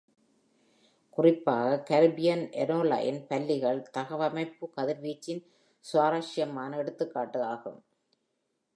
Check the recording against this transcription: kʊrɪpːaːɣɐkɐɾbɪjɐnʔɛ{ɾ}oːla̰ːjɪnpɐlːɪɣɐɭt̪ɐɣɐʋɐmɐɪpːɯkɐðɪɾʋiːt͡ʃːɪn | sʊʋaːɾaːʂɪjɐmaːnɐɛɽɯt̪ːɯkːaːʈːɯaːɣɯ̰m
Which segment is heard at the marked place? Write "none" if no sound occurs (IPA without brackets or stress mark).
ɾ